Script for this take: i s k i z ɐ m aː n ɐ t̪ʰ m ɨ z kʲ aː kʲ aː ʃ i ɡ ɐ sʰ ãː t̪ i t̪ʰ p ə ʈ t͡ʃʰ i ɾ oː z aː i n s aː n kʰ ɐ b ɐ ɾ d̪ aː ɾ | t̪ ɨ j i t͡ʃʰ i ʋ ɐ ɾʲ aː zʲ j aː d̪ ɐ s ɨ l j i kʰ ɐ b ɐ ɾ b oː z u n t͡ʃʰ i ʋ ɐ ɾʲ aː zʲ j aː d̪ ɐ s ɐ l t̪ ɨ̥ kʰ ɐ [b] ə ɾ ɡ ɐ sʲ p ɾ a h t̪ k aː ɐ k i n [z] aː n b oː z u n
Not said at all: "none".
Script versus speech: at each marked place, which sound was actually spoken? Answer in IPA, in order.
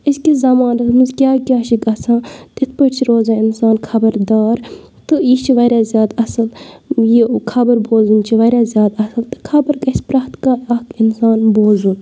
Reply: b, s

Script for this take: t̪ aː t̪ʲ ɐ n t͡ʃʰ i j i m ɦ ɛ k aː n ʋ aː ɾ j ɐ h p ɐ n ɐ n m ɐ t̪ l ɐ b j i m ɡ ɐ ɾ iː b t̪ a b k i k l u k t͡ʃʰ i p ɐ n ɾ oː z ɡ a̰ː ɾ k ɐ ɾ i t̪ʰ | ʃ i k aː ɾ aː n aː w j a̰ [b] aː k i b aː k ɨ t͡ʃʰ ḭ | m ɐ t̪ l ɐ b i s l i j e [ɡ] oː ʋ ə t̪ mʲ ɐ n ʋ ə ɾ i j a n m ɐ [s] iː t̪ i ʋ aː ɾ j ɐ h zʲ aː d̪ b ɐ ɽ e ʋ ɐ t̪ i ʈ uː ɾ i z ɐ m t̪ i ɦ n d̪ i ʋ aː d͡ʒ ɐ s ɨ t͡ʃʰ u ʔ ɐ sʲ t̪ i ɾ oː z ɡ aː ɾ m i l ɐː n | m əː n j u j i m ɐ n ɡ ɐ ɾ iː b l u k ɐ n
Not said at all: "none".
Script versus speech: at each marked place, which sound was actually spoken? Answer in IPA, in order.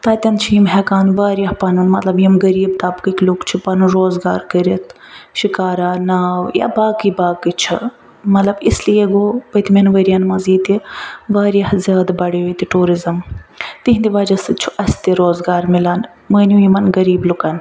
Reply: b, ɡ, z

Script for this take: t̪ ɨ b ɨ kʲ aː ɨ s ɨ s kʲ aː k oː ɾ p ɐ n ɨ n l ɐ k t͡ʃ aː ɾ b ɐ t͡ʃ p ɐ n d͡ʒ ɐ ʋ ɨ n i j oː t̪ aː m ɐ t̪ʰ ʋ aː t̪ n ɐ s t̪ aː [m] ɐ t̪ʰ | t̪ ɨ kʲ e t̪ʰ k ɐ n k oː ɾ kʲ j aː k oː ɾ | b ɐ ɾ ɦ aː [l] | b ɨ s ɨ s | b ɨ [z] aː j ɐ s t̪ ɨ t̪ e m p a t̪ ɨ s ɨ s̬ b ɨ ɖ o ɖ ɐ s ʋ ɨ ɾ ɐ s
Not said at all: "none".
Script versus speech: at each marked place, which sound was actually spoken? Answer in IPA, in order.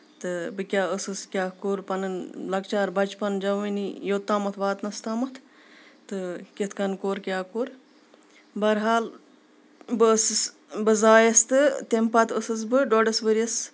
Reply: m, l, z

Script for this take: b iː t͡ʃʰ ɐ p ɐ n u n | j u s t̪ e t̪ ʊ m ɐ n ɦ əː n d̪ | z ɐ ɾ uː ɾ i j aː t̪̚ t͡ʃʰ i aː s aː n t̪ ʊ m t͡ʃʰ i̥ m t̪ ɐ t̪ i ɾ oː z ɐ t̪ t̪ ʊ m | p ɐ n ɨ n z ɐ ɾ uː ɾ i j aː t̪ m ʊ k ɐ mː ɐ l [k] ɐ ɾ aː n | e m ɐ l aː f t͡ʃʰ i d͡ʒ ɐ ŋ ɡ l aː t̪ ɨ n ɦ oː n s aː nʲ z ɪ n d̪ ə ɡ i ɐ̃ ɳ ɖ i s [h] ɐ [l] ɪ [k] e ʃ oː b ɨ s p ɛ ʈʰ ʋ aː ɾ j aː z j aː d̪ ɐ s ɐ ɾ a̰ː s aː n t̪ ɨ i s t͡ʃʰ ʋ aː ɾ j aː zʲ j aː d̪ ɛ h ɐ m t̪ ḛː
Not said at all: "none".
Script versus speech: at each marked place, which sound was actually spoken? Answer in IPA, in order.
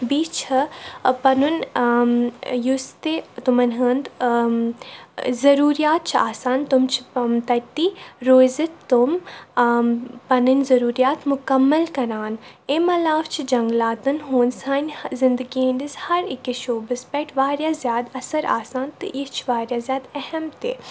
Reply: k, h, ɾ, k

